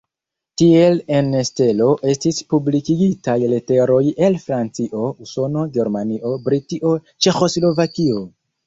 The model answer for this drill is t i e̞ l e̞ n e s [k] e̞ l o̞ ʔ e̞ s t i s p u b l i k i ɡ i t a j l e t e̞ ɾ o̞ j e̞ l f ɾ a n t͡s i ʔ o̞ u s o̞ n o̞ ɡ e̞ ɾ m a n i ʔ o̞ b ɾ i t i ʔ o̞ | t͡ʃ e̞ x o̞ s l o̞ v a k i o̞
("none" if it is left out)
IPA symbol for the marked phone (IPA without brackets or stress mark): t